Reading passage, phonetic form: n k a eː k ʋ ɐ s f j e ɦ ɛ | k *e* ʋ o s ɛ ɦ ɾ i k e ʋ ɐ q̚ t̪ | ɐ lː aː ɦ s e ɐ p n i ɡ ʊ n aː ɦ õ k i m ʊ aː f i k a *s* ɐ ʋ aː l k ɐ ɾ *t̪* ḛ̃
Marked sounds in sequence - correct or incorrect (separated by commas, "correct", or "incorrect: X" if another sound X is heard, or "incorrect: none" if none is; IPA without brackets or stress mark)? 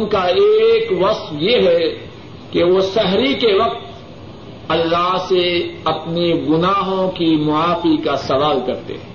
correct, correct, correct